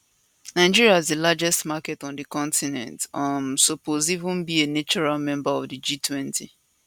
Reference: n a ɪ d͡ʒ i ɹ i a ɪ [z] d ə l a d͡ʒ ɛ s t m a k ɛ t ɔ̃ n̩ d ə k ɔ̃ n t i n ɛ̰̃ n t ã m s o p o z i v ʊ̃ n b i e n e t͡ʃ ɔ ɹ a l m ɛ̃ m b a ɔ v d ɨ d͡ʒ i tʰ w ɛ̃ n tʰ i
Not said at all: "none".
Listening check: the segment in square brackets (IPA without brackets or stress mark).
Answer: z